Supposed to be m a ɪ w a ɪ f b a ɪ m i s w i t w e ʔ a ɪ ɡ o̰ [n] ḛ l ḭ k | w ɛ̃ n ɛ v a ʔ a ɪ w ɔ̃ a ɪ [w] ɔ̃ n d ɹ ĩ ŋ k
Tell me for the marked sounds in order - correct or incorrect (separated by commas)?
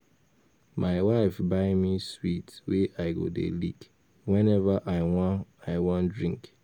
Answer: incorrect, correct